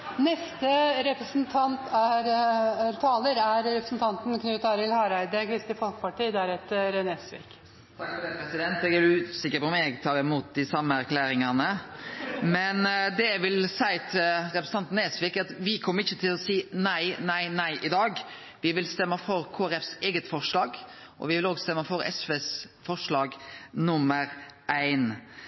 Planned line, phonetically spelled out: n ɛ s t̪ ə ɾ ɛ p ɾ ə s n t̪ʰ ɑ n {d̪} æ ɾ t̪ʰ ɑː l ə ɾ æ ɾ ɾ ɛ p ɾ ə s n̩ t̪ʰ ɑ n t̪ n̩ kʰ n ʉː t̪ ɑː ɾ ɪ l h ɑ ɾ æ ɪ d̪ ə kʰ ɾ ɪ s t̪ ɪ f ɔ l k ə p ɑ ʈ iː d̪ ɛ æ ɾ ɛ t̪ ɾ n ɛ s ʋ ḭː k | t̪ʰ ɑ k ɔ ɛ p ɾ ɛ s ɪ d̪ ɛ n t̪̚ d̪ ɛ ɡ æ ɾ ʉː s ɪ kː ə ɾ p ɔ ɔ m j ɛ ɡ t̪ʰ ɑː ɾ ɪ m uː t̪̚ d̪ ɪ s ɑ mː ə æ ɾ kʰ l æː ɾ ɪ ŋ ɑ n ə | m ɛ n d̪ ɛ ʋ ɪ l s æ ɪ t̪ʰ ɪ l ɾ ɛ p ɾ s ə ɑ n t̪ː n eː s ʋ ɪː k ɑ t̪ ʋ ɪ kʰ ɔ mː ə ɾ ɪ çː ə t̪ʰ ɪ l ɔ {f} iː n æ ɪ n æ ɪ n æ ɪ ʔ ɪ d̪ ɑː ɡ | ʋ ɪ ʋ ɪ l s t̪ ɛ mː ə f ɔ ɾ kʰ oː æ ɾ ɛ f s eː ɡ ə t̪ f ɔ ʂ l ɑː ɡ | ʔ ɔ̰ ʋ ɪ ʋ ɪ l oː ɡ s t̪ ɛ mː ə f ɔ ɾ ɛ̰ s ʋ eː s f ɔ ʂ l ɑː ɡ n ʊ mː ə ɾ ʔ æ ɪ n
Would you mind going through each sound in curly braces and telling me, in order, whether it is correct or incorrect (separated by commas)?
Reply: incorrect, incorrect